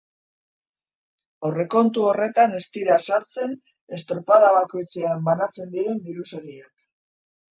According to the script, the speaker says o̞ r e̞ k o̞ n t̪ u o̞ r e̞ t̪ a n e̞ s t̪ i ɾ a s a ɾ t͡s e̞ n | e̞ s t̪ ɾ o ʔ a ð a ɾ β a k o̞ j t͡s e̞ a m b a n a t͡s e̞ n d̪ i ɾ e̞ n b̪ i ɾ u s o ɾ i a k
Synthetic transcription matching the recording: o̞ r e̞ k o̞ n t̪ u o̞ r e̞ t̪ a n e̞ s t̪ i ɾ a s a ɾ t͡s e̞ n | e̞ s t̪ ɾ o p a ð a β a k o̞ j t͡s e̞ a m b a n a t͡s e̞ n d̪ i ɾ e̞ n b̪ i ɾ u s o ɾ i a k

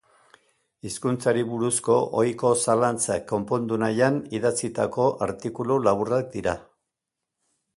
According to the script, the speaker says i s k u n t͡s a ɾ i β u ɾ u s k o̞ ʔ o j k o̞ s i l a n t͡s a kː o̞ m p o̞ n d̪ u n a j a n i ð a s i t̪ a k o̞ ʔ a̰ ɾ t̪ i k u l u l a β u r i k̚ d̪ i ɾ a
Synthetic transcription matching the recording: i s k u n t͡s a ɾ i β u ɾ u s k o̞ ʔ o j k o̞ s a l a n t͡s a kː o̞ m p o̞ n d̪ u n a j a n i ð a t͡s i t̪ a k o̞ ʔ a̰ ɾ t̪ i k u l u l a β u r a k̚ d̪ i ɾ a

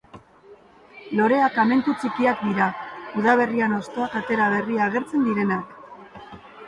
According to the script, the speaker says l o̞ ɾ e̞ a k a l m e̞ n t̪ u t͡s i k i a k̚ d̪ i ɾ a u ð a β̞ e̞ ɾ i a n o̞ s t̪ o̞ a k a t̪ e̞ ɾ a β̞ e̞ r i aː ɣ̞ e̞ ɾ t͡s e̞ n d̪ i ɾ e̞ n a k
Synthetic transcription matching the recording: l o̞ ɾ e̞ a k a m e̞ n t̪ u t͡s i k i a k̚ d̪ i ɾ a u ð a β̞ e̞ r i a n o̞ s t̪ o̞ a k a t̪ e̞ ɾ a β̞ e̞ r i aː ɣ̞ e̞ ɾ t͡s e̞ n d̪ i ɾ e̞ n a k

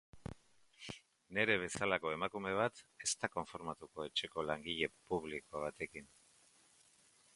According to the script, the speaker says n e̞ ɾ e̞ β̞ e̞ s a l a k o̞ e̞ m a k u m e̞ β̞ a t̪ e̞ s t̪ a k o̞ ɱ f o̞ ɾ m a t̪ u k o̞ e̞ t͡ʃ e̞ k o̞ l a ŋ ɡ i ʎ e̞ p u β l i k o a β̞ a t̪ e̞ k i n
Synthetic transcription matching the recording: n e̞ ɾ e̞ β̞ e̞ s a l a k o̞ e̞ m a k u m e̞ β̞ a t̪ e̞ s t̪ a k o̞ ɱ f o̞ ɾ m a t̪ u k o̞ e̞ t͡ʃ e̞ k o̞ l a ŋ ɡ i ʎ e̞ p u β l i k o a β̞ a t̪ e̞ k i n

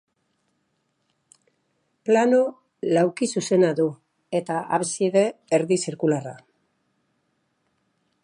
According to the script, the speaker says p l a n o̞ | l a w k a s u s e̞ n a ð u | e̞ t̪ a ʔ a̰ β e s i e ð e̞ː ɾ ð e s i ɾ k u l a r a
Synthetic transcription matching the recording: p l a n o̞ | l a w k i s u s e̞ n a ð u | e̞ t̪ a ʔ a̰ β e s i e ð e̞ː ɾ ð i s i ɾ k u l a r a

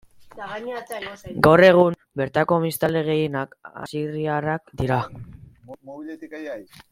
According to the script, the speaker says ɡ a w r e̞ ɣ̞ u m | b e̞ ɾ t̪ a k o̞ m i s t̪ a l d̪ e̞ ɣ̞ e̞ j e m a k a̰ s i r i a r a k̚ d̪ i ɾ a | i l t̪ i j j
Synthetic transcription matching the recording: ɡ a w r e̞ ɣ̞ u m | b e̞ ɾ t̪ a k o̞ m i s t̪ a l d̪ e̞ ɣ̞ e̞ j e n a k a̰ s i r i a r a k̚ d̪ i ɾ a | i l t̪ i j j

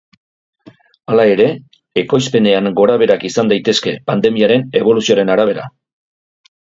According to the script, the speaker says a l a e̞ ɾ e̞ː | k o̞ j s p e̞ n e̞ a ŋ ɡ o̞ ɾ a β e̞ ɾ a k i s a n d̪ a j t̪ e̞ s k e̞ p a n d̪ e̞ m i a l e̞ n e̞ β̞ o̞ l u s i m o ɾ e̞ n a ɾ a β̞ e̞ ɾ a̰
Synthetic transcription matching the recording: a l a e̞ ɾ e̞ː | k o̞ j s p e̞ n e̞ a ŋ ɡ o̞ ɾ a β e̞ ɾ a k i s a n d̪ a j t̪ e̞ s k e̞ p a n d̪ e̞ m i a ɾ e̞ n e̞ β̞ o̞ l u s i o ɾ e̞ n a ɾ a β̞ e̞ ɾ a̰

